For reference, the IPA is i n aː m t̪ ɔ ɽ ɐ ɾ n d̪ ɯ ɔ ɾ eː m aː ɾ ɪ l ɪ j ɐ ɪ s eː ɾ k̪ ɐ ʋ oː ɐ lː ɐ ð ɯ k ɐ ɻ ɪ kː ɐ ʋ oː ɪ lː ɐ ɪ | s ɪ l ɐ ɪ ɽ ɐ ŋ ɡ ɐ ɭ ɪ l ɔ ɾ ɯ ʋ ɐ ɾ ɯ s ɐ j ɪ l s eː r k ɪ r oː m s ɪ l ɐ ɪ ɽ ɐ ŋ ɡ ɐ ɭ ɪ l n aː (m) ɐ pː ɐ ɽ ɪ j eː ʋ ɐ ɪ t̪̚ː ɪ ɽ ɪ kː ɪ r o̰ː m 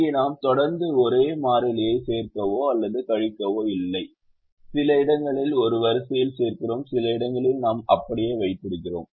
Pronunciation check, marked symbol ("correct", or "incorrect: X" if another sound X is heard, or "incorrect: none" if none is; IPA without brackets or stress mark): correct